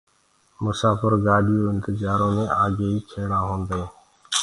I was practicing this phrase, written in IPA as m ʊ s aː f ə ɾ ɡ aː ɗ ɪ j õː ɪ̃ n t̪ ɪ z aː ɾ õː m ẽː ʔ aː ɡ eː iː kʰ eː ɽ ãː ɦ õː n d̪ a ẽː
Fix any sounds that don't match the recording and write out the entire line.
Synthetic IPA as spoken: m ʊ s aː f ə ɾ ɡ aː ɗ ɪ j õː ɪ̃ n t̪ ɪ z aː ɾ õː m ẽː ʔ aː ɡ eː iː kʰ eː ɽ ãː ɦ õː n d̪ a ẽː